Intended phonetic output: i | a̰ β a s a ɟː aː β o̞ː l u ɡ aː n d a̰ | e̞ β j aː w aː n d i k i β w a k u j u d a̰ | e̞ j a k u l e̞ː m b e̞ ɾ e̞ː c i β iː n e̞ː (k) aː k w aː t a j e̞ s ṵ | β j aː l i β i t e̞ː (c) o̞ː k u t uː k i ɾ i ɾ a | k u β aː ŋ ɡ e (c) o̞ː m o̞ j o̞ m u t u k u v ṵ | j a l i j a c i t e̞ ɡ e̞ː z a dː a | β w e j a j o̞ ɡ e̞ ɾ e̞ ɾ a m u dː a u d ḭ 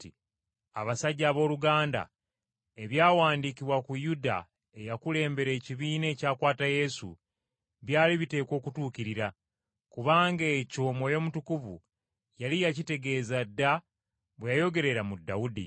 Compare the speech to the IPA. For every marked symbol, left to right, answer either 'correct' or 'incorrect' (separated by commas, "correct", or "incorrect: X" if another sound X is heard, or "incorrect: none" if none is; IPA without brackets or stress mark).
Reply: incorrect: c, incorrect: k, correct